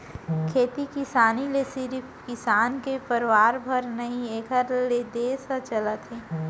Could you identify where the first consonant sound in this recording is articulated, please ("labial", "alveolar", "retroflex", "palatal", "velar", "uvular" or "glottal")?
velar